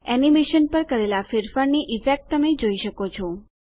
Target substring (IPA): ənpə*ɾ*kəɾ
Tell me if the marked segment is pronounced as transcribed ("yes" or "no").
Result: yes